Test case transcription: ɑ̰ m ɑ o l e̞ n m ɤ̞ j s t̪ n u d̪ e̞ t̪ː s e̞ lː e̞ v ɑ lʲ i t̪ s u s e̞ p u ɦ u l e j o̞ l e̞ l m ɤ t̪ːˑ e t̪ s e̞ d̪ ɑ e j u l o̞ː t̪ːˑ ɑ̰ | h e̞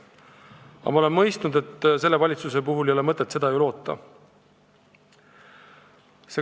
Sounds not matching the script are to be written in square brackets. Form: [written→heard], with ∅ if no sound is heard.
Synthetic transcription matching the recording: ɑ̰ m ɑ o l e̞ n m ɤ̞ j s t̪ n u d̪ e̞ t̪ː s e̞ lː e̞ v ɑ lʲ i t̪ s u s e̞ p u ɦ u l e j o̞ l e̞ [l→∅] m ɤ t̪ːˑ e t̪ s e̞ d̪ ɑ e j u l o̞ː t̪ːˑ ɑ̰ | [h→s] e̞